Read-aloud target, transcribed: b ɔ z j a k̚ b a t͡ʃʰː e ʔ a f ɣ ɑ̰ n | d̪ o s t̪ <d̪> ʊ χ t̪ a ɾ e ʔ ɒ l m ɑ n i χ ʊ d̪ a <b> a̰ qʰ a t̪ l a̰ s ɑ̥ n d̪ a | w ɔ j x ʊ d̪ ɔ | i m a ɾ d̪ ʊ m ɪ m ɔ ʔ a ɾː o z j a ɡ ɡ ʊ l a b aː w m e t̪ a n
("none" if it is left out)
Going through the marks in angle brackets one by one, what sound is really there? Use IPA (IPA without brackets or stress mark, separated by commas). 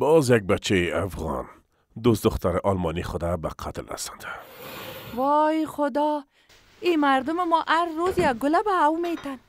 d̪, b